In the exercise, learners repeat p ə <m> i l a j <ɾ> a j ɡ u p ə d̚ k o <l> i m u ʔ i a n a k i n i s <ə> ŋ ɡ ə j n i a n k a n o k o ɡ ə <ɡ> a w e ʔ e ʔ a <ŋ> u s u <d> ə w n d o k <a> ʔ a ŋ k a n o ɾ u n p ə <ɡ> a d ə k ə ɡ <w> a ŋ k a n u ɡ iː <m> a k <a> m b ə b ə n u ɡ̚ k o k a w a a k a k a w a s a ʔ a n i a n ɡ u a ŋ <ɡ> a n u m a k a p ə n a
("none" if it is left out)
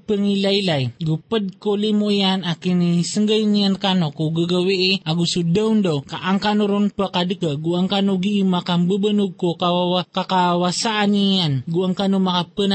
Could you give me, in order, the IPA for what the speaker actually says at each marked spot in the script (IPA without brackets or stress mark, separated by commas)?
ŋ, l, l, ə, ɡ, ɡ, d, a, k, u, m, a, k